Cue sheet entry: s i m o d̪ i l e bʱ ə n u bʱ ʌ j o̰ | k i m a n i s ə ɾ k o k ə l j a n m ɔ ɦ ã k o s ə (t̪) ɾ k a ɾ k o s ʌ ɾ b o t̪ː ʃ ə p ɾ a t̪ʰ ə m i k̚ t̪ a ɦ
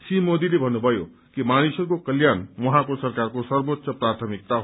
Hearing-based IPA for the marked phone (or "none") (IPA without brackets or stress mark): none